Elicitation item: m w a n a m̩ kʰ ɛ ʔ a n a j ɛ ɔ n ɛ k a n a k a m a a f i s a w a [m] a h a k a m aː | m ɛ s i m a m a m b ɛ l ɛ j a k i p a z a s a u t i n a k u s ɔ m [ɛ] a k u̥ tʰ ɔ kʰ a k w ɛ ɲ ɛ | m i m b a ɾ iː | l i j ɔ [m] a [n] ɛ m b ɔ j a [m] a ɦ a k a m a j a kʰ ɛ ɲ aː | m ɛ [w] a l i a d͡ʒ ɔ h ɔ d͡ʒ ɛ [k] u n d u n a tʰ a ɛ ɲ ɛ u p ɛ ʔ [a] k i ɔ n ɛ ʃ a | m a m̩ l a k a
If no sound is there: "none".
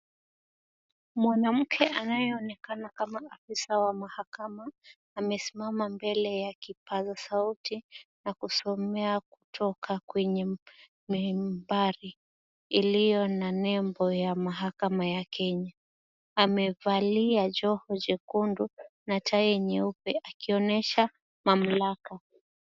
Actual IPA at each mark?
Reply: m, ɛ, n, n, m, v, k, a

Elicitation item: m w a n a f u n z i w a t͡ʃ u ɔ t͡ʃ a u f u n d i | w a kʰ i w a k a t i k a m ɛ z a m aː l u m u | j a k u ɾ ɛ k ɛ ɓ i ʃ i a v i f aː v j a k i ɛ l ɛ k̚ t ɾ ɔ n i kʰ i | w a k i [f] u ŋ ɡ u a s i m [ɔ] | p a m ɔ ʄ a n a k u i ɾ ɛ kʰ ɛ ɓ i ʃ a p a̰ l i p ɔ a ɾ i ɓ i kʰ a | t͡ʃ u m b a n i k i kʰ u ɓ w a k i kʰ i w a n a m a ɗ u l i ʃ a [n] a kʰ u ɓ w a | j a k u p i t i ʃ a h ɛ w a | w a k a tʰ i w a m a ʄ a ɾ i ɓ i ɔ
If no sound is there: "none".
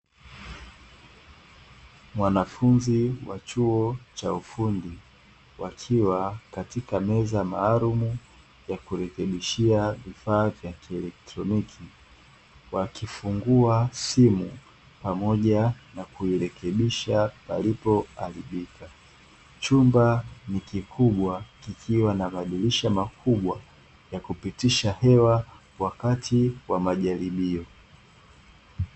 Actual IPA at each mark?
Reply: f, u, m

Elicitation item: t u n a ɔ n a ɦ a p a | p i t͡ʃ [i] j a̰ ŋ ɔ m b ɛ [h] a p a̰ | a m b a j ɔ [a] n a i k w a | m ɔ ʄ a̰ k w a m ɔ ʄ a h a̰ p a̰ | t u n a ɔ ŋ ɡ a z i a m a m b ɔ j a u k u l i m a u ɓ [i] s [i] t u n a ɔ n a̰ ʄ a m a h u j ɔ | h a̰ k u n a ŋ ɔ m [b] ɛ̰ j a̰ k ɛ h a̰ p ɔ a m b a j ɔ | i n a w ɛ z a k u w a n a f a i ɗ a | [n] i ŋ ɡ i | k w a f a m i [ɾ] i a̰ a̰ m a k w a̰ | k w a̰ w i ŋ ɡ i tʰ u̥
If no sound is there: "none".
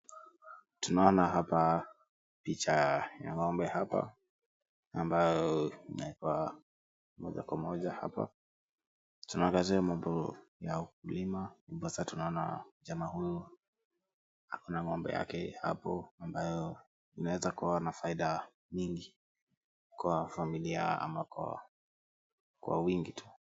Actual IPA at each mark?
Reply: a, h, i, a, a, b, ɲ, l

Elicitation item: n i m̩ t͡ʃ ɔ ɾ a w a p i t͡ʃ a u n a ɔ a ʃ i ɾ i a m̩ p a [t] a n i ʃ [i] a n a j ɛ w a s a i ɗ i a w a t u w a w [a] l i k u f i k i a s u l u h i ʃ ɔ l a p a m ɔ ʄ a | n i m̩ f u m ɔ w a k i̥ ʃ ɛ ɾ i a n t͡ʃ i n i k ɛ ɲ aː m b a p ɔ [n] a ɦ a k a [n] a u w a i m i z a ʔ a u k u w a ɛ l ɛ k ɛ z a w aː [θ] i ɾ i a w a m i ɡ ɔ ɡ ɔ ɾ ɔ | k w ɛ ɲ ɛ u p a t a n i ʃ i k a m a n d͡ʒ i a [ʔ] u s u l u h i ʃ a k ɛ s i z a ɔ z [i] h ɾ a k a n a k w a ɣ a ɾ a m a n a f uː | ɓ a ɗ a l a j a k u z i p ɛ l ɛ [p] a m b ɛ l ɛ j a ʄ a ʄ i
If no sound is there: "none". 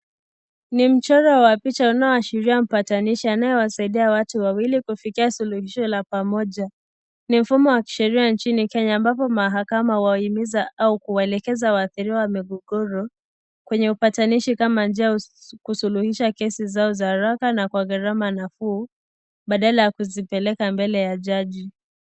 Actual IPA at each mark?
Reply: t, i, i, m, m, θ, k, a, k

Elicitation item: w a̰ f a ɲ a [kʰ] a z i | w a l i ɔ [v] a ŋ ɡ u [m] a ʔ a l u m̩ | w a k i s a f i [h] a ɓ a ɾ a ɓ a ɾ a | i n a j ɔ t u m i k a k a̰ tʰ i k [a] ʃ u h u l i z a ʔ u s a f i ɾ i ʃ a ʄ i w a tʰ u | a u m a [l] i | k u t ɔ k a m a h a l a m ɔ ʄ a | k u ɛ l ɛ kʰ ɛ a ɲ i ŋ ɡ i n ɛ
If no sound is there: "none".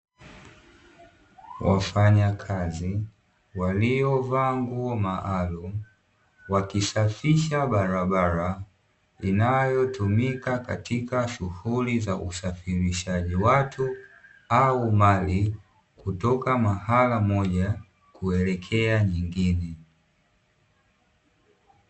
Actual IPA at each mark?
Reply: kʰ, v, m, ʃ, a, l

